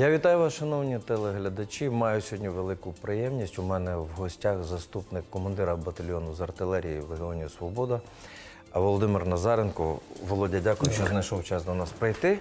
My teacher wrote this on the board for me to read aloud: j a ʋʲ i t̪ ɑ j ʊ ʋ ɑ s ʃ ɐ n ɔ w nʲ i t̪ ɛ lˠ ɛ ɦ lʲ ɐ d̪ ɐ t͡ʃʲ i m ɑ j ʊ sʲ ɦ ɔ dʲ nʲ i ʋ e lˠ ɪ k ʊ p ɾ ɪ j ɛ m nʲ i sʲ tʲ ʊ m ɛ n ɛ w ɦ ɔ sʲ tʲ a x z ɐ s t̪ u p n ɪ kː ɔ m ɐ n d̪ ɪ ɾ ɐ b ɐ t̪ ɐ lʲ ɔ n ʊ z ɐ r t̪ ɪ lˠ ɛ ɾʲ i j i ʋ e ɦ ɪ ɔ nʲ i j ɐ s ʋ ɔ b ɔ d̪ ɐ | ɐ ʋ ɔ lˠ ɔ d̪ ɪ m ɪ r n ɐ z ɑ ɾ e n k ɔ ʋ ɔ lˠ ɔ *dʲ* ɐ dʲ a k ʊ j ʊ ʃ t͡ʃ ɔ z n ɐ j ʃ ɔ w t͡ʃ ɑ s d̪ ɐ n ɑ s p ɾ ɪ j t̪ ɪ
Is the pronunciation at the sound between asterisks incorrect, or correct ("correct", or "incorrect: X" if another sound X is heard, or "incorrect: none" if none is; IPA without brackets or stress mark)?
correct